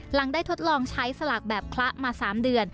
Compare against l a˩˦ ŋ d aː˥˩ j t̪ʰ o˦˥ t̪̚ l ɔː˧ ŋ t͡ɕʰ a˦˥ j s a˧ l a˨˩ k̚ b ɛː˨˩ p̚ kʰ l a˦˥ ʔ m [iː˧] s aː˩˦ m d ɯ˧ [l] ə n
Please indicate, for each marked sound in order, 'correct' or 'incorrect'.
incorrect, incorrect

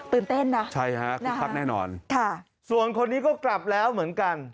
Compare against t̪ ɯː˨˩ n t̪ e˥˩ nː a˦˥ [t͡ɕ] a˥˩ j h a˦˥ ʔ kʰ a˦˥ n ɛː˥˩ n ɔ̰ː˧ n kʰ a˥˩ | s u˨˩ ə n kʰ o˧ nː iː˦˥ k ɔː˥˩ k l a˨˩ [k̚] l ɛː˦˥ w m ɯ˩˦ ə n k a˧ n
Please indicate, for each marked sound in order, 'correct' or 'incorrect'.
incorrect, incorrect

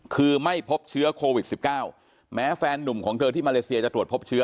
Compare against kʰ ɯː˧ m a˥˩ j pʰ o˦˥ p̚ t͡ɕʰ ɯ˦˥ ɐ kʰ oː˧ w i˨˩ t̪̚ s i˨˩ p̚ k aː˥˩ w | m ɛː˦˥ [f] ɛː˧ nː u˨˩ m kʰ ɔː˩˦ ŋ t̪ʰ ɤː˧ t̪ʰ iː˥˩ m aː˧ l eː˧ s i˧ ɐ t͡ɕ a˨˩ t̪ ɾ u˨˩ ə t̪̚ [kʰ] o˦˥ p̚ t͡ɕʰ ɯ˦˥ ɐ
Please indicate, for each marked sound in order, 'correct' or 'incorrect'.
correct, incorrect

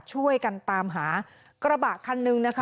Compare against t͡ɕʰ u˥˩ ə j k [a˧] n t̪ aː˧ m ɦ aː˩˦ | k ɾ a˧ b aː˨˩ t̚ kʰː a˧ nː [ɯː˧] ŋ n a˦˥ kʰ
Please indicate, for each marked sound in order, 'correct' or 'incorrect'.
correct, incorrect

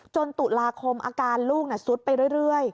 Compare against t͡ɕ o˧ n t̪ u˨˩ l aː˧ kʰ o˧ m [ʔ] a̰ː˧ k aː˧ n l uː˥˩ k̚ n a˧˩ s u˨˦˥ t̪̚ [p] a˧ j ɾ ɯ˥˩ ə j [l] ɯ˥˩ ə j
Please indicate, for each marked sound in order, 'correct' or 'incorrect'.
correct, correct, incorrect

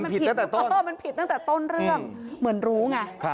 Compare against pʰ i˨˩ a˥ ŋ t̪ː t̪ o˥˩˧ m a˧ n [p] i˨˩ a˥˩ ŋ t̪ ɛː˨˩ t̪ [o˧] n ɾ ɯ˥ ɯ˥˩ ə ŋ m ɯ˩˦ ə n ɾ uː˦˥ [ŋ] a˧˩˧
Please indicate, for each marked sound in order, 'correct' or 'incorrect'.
incorrect, incorrect, correct

